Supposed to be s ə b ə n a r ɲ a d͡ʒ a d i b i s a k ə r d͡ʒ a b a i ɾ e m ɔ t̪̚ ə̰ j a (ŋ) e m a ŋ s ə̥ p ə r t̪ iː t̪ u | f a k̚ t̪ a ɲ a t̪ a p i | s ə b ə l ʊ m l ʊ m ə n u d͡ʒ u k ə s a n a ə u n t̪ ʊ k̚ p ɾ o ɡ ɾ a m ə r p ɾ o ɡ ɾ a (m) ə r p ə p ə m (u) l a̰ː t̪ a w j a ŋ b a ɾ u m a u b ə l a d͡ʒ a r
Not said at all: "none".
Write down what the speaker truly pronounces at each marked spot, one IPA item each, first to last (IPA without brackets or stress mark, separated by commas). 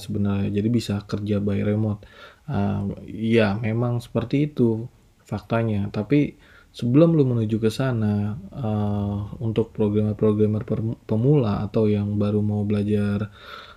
m, m, u